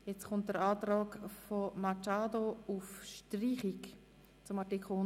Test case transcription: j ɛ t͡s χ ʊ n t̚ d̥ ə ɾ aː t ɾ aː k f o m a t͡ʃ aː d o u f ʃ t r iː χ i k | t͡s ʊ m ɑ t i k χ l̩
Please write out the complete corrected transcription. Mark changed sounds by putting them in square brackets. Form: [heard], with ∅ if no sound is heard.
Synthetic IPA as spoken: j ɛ t͡s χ ʊ n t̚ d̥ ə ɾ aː t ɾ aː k f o m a t͡ʃ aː d o u f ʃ t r iː χ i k | t͡s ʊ m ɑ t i k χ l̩